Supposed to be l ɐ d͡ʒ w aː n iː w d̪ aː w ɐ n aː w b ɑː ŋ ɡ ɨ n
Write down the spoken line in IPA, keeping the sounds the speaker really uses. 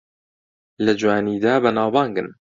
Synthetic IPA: l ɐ d͡ʒ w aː n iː d̪ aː b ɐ n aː w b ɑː ŋ ɡ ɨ n